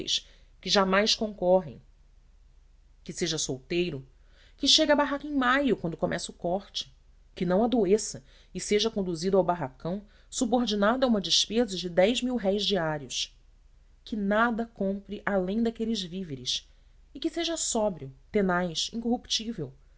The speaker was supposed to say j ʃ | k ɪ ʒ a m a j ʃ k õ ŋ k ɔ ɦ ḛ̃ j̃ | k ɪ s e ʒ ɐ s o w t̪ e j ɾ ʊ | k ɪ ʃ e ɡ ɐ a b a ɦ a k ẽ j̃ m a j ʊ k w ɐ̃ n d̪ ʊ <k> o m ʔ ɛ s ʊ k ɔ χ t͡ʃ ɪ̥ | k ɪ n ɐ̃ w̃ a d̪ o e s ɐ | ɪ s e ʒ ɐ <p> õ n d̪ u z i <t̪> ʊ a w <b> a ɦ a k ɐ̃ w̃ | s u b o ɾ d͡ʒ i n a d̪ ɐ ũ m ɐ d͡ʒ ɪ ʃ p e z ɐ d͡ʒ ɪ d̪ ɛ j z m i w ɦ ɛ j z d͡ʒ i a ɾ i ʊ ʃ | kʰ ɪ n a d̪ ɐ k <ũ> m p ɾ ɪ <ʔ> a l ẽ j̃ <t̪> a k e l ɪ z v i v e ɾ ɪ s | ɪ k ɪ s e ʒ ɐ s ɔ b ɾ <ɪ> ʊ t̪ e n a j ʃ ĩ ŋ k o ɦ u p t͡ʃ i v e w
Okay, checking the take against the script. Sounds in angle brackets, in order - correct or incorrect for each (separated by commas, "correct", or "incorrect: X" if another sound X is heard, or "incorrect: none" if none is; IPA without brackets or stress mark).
correct, incorrect: k, incorrect: d̪, correct, incorrect: õ, correct, incorrect: d̪, incorrect: i